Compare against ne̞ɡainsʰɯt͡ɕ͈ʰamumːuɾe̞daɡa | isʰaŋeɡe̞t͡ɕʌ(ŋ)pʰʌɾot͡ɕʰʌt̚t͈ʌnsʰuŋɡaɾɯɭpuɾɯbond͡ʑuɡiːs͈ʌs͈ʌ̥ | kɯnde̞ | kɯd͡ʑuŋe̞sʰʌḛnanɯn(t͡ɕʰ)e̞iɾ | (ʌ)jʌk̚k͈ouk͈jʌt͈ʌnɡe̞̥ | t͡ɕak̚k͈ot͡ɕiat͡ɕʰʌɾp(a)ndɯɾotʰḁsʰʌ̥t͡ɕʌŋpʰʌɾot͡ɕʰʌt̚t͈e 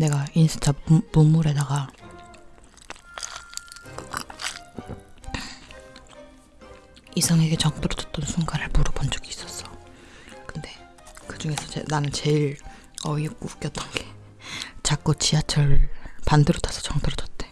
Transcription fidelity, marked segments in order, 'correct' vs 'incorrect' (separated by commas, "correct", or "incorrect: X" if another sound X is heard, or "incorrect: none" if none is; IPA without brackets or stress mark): correct, incorrect: t͡ɕ, correct, correct